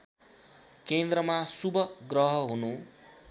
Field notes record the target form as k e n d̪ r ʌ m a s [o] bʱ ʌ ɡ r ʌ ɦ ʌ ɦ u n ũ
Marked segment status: incorrect: u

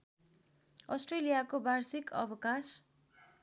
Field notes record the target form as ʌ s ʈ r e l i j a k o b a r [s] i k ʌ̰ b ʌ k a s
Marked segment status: correct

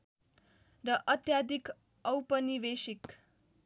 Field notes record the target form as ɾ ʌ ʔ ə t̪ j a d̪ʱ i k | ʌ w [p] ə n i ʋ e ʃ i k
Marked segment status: correct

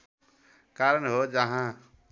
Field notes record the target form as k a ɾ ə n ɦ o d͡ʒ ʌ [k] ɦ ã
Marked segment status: incorrect: none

